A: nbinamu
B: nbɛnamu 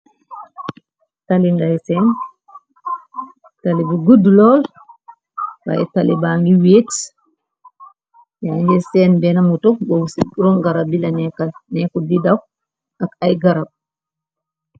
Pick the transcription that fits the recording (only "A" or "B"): B